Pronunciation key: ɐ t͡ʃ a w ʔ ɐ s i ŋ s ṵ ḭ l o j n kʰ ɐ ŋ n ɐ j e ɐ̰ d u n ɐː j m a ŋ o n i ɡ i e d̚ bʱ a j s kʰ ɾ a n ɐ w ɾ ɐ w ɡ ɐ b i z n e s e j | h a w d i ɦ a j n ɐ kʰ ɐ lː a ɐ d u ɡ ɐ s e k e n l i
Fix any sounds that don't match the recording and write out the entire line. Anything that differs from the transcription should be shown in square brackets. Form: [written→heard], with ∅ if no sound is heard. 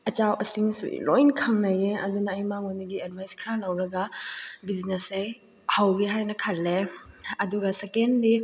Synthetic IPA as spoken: ɐ t͡ʃ a w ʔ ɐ s i ŋ s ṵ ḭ l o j n kʰ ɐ ŋ n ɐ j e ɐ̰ d u n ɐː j m a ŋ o n i ɡ i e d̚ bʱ a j s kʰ ɾ a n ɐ w ɾ ɐ [w→∅] ɡ ɐ b i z n e s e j | h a w [d→ɡ] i ɦ a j n ɐ kʰ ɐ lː [a→e] ɐ d u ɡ ɐ s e k e n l i